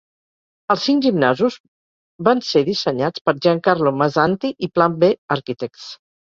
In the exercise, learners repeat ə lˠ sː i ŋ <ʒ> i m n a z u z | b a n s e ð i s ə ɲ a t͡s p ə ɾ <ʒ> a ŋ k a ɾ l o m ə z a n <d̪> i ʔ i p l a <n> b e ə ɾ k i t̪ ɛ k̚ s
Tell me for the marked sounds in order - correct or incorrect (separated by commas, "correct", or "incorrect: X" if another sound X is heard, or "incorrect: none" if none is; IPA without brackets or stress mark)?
correct, correct, incorrect: t̪, incorrect: m